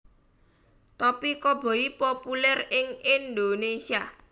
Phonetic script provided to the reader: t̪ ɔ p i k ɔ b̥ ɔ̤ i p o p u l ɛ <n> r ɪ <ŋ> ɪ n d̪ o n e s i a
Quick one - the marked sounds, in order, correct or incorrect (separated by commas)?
incorrect, correct